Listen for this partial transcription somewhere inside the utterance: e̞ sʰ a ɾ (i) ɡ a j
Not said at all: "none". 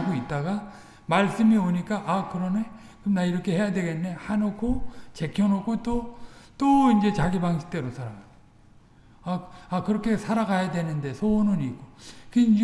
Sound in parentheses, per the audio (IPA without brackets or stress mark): a